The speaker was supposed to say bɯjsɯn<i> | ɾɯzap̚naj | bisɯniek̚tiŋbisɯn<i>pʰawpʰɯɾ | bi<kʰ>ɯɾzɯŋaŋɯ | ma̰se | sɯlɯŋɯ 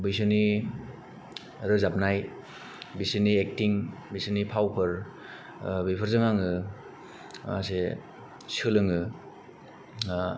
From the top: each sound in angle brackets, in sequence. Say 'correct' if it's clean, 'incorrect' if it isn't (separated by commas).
correct, correct, incorrect